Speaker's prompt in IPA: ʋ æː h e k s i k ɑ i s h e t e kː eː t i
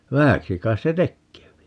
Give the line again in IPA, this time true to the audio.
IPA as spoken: ʋ æ h æ k s i k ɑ i s s e t e kː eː p i